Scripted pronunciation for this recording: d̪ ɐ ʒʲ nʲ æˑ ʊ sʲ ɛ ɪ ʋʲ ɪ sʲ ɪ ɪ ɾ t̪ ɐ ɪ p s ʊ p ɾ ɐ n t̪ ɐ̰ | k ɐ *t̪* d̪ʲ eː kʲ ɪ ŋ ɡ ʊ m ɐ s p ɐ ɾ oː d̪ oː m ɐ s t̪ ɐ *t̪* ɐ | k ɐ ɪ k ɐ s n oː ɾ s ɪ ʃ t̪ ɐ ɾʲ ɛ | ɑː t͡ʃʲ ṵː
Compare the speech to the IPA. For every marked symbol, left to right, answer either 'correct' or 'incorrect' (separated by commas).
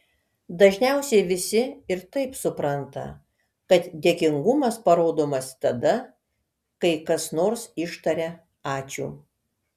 correct, incorrect